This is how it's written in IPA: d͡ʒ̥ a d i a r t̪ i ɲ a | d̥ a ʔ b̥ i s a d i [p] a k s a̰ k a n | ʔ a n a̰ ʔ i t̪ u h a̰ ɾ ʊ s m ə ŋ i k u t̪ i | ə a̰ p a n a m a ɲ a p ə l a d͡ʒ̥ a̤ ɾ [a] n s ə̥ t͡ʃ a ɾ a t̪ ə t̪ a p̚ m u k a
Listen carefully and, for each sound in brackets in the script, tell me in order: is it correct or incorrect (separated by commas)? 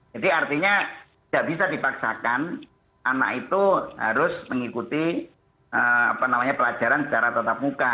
correct, correct